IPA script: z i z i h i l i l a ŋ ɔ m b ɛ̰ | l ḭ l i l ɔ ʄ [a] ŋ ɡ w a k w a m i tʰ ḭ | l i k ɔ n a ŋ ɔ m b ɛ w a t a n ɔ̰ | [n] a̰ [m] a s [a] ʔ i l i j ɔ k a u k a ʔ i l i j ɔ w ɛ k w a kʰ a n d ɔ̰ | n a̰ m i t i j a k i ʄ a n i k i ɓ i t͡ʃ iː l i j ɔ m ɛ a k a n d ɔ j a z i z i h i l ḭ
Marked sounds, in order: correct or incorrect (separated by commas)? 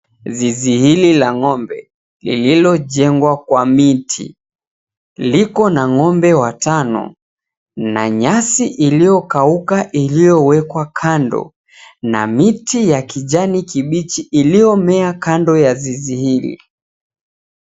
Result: incorrect, correct, incorrect, incorrect